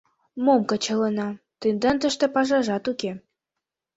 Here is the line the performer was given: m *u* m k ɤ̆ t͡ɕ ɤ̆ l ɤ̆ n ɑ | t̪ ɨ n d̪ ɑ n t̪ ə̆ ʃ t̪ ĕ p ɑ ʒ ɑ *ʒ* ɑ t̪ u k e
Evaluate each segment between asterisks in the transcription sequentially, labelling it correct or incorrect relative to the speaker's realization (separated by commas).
incorrect, correct